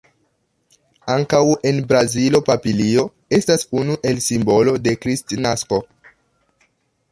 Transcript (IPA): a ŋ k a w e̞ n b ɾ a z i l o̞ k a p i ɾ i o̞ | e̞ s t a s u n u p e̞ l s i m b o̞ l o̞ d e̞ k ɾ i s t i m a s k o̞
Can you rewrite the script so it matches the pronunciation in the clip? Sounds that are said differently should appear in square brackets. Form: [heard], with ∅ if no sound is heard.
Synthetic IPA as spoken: a ŋ k a w e̞ n b ɾ a z i l o̞ [p] a p i [l] i o̞ | e̞ s t a s u n u [ʔ] e̞ l s i m b o̞ l o̞ d e̞ k ɾ i s t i [n] a s k o̞